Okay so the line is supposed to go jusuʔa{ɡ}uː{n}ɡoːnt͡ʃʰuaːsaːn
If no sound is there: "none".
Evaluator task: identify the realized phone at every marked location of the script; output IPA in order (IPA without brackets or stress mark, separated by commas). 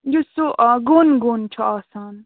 ɡ, n